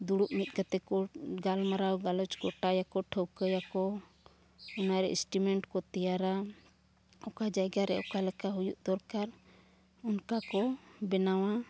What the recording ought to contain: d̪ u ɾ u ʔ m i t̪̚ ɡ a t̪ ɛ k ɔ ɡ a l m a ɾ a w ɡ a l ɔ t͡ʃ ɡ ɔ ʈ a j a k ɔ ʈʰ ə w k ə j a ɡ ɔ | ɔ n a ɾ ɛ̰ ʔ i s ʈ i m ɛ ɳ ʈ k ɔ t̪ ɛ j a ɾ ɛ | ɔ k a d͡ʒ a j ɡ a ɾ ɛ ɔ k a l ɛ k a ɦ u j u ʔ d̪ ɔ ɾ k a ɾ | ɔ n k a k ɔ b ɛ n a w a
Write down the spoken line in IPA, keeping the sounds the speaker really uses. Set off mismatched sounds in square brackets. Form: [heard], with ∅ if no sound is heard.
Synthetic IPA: d̪ u [ɽ] u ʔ m i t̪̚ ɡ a t̪ ɛ k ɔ ɡ a l m a ɾ a w ɡ a l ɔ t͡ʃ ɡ ɔ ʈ a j a k ɔ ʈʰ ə w k ə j a [k] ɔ | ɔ n a ɾ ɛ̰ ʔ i s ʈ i m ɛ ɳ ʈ k ɔ t̪ ɛ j a ɾ [a] | ɔ k a d͡ʒ a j ɡ a ɾ ɛ ɔ k a l ɛ k a ɦ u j u ʔ d̪ ɔ ɾ k a ɾ | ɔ n k a k ɔ b ɛ n a w a